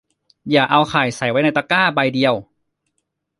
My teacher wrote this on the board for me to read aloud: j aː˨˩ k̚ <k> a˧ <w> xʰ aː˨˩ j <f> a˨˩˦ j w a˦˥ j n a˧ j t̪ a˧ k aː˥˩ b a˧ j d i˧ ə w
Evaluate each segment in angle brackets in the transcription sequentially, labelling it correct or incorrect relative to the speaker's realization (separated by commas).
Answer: incorrect, correct, incorrect